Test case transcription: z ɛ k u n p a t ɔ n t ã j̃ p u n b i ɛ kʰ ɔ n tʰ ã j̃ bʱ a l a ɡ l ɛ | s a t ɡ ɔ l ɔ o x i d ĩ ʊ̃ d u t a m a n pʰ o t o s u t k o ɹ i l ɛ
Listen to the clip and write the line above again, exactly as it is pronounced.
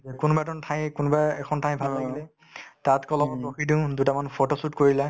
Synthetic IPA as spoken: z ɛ k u n b a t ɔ n tʰ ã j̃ k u n b a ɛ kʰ ɔ n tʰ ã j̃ bʱ a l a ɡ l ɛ | t a t k ɔ l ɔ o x i d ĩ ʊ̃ d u t a m a n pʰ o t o s u t k o ɹ i l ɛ